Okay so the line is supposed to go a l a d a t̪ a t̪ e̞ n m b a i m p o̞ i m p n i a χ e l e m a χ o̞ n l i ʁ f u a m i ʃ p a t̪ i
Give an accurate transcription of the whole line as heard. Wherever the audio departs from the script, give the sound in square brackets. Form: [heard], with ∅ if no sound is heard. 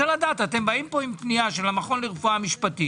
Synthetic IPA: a l a d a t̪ a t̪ e̞ [∅] m b a i m p o̞ i m p n i a [ʃ] e l [a] m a χ o̞ n l i ʁ f u a m i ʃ p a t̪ i